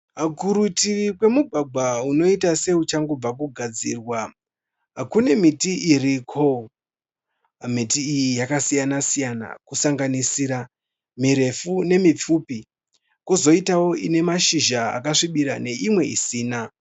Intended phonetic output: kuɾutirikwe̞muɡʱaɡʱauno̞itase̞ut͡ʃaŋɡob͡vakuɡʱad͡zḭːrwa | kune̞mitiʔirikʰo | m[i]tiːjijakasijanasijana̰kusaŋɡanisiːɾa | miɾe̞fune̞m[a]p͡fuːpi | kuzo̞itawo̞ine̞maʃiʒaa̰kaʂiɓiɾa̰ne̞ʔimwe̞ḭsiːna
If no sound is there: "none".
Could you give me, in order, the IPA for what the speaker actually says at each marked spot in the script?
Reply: i, i

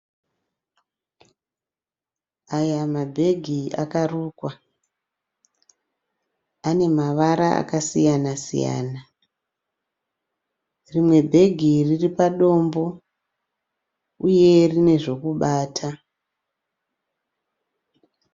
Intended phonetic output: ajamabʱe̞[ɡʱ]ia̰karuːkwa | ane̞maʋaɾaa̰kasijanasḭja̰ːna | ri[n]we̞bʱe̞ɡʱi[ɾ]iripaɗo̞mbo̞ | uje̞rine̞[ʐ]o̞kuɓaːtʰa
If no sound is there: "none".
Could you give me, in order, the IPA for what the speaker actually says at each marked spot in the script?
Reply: ɡʱ, m, r, ʐ

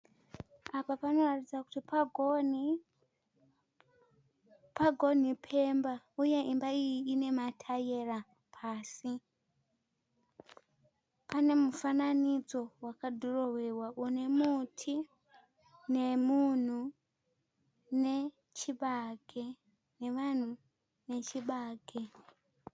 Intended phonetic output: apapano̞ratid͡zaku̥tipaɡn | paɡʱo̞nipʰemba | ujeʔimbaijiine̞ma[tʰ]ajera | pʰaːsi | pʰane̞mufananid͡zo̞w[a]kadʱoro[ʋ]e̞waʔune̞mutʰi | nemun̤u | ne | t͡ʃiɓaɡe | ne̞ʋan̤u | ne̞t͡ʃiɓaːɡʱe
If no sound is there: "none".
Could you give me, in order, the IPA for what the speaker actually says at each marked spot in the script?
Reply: tʰ, a, w

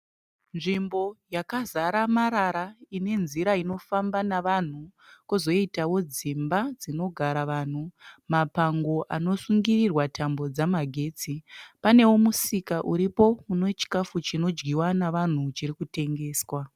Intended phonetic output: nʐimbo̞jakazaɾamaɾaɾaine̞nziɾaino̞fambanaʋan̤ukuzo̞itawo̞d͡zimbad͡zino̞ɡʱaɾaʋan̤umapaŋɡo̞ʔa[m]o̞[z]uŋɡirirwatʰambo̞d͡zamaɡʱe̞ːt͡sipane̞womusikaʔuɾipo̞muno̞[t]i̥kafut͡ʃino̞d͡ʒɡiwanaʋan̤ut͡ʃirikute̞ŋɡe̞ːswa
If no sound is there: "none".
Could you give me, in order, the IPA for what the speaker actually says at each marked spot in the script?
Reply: n, s, t͡ʃ

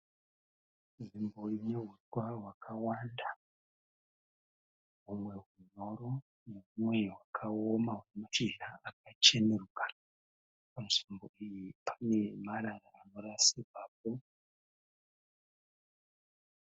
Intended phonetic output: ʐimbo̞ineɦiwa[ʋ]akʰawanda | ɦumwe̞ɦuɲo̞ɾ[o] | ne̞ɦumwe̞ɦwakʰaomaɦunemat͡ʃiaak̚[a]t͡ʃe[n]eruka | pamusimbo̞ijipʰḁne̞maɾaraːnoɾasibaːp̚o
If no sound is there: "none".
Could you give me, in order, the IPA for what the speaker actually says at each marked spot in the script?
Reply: w, o, a, n

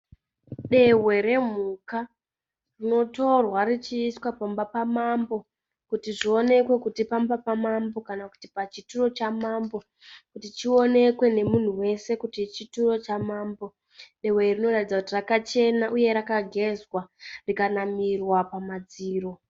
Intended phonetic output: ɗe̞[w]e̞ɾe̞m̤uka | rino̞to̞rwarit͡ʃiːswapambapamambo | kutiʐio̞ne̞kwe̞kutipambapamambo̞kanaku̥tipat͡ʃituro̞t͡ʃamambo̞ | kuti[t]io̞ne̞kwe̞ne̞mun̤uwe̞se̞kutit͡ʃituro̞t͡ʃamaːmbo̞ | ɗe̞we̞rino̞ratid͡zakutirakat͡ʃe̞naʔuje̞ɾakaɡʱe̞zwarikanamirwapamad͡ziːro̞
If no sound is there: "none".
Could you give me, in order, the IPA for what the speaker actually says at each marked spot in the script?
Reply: w, t͡ʃ

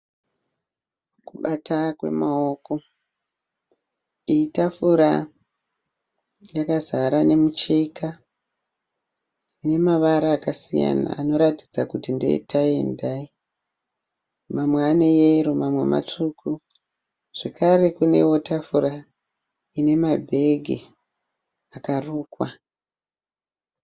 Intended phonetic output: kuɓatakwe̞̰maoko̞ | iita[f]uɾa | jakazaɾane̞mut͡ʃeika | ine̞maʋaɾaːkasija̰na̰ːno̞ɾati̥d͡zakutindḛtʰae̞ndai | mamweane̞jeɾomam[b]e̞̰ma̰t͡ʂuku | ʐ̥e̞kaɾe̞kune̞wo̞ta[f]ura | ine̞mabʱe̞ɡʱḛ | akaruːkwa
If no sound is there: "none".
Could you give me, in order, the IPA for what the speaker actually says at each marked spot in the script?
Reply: f, w, f

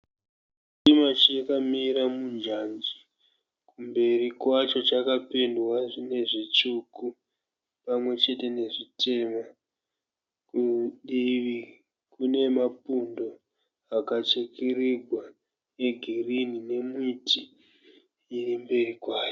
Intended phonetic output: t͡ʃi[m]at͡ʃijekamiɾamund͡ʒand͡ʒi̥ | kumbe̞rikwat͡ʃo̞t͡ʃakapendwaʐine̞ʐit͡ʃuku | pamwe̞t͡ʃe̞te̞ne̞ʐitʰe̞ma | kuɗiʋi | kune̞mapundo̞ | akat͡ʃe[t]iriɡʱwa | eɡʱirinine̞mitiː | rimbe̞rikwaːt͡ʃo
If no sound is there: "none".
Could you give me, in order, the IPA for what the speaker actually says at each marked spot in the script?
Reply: m, k

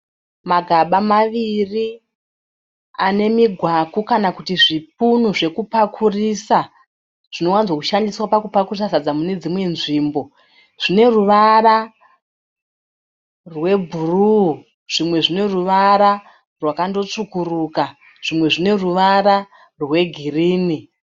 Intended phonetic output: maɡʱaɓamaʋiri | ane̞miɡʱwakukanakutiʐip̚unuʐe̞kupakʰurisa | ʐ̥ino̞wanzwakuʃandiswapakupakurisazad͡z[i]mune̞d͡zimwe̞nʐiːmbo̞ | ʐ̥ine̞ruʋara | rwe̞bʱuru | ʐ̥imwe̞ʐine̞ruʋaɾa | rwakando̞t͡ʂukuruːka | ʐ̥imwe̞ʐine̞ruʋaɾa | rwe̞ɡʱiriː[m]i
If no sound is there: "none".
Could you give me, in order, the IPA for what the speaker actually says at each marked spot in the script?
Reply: a, n

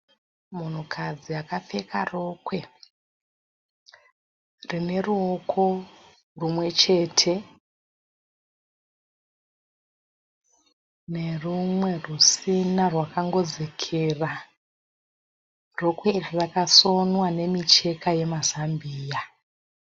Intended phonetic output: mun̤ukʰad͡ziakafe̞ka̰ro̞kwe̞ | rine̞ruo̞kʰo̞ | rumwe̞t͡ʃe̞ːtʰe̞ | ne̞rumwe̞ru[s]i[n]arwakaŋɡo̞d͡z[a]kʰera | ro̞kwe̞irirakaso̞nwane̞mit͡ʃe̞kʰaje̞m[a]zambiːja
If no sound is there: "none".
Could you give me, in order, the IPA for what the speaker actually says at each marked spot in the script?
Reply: s, n, e, a

